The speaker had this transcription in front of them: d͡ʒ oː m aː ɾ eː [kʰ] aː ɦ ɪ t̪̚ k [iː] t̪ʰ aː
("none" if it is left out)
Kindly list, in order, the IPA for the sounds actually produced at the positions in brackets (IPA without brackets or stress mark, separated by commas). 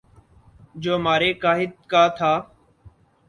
k, aː